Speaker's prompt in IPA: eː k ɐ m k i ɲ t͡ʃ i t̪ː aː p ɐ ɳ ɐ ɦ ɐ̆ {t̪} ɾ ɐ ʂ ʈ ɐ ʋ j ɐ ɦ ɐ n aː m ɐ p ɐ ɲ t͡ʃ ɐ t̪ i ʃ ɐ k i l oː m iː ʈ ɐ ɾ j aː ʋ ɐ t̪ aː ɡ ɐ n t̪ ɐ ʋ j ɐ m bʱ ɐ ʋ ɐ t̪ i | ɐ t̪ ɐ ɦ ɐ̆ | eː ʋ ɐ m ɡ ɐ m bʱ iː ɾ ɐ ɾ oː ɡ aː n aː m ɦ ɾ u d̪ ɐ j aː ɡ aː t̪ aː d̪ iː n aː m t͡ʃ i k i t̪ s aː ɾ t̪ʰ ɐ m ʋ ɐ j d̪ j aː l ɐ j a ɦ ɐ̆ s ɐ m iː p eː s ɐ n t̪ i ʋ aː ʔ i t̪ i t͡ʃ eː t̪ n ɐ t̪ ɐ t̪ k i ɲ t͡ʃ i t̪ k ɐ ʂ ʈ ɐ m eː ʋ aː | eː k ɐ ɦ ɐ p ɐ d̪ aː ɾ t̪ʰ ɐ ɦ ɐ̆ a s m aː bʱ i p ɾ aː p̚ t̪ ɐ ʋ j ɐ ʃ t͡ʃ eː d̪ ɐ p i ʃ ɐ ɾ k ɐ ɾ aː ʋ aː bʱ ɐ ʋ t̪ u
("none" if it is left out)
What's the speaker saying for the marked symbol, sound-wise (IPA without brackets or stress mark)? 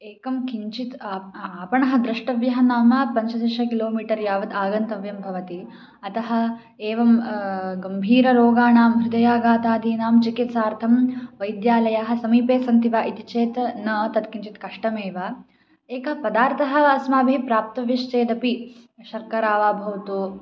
d̪